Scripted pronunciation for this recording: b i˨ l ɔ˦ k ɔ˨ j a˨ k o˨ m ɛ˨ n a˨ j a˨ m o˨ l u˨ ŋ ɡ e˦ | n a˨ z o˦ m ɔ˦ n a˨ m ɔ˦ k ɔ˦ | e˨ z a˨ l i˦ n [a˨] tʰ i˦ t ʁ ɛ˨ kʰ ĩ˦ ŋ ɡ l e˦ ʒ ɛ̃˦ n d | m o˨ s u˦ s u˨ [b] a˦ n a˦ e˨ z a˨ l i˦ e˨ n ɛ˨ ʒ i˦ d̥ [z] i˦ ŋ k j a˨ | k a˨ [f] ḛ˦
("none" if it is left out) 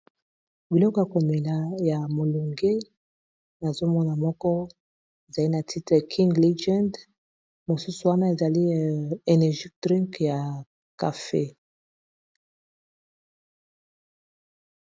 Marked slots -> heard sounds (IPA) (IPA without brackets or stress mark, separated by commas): a˨, w, ʁ, f